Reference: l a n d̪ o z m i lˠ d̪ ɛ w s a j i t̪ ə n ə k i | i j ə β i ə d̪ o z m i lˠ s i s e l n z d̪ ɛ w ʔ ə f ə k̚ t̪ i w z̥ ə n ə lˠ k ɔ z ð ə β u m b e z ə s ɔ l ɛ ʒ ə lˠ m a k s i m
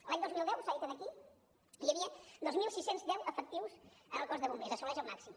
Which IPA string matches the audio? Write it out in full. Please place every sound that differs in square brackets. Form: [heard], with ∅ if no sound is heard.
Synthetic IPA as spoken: l a [ɲ] d̪ o z m i lˠ d̪ ɛ w s a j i t̪ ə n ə k i | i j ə β i ə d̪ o z m i lˠ s i s e [∅] n z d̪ ɛ w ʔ ə f ə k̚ t̪ i w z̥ ə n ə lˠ k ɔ z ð ə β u m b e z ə s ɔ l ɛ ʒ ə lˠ m a k s i m